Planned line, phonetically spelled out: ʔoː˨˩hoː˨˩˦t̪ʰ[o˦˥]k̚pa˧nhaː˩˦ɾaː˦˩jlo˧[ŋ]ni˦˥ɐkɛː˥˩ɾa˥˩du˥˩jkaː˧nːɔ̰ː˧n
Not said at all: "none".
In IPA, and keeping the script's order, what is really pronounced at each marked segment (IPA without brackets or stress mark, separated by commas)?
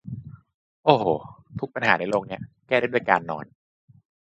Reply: u˦˥, ŋ